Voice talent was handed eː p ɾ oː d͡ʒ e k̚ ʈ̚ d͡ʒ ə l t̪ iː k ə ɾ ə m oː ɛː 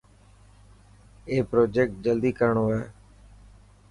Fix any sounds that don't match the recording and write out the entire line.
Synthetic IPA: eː p ɾ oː d͡ʒ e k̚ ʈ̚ d͡ʒ ə l d̪ iː k ə ɾ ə ɳ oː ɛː

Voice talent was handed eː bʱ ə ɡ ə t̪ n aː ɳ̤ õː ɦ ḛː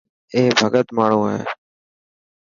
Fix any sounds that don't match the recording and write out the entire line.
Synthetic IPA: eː bʱ ə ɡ ə t̪ m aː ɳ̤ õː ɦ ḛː

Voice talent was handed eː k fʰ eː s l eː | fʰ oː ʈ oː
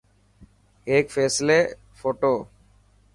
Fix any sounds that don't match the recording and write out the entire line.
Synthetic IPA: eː k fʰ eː s l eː | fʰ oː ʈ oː

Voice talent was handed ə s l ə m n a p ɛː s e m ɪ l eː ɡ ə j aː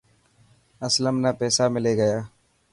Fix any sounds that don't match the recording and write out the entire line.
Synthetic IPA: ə s l ə m n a p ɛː s a m ɪ l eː ɡ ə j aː

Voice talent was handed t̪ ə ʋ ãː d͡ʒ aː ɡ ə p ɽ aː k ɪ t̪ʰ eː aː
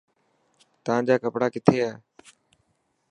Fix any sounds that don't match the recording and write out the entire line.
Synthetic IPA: t̪ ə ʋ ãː d͡ʒ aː k ə p ɽ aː k ɪ t̪ʰ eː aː

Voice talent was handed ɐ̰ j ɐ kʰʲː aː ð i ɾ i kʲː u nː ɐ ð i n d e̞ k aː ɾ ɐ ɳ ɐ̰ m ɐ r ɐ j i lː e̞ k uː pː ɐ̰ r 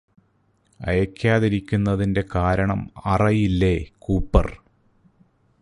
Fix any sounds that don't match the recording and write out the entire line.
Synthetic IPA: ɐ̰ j ɐ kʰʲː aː ð i ɾ i kʲː u nː ɐ ð i n d e̞ k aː ɾ ɐ ɳ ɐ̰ m ɐ r ɐ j i lː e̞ k uː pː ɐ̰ r

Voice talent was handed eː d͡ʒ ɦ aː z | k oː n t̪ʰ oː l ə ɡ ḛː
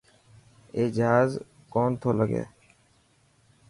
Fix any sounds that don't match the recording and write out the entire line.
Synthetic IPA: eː d͡ʒ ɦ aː z | k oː n t̪ʰ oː l ə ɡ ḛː

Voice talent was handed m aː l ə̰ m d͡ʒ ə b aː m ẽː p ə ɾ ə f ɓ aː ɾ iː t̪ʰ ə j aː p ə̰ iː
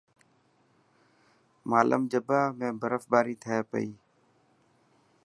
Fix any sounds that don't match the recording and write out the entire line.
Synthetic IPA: m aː l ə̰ m d͡ʒ ə b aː m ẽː b ə ɾ ə f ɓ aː ɾ iː t̪ʰ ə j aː p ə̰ iː

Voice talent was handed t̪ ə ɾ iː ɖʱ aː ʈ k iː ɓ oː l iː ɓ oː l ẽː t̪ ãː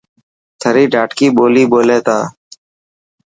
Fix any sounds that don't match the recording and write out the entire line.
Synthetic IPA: t̪ʰ ə ɾ iː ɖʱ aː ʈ k iː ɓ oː l iː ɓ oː l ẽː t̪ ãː

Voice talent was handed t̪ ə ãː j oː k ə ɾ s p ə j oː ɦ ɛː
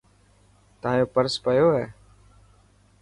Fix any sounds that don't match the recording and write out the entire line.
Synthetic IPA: t̪ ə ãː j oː p ə ɾ s p ə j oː ɦ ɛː

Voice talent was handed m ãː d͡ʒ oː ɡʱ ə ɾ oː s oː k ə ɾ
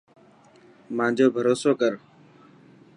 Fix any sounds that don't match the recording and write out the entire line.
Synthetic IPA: m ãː d͡ʒ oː bʱ ə ɾ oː s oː k ə ɾ

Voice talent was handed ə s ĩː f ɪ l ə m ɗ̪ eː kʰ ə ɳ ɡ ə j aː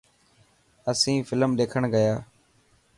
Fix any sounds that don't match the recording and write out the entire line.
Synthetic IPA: ə s ĩː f ɪ l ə m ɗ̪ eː kʰ ə ɳ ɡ ə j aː

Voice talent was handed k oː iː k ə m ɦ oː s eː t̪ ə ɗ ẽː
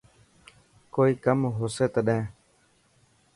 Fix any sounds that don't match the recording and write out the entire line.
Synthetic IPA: k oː iː k ə m ɦ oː s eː t̪ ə ɗ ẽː

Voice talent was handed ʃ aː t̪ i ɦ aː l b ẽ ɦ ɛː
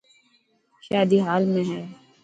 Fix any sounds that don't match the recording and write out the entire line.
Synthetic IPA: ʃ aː d̪ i ɦ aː l m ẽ ɦ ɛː

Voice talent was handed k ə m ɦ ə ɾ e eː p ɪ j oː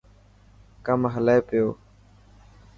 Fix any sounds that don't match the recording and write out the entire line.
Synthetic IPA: k ə m ɦ ə l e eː p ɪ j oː

